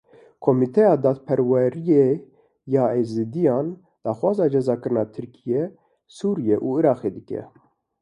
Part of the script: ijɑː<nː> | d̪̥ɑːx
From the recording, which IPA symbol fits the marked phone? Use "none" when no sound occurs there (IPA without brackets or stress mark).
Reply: n